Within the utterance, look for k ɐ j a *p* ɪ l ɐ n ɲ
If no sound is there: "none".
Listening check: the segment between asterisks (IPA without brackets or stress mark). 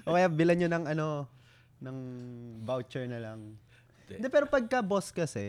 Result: b